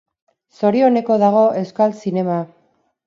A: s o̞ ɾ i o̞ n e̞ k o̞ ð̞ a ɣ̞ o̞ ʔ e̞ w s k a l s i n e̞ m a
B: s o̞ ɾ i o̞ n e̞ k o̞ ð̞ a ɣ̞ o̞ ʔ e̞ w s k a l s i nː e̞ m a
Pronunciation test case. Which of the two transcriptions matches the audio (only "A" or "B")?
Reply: A